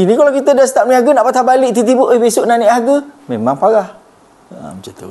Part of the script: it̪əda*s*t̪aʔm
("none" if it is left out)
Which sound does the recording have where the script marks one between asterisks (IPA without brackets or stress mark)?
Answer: s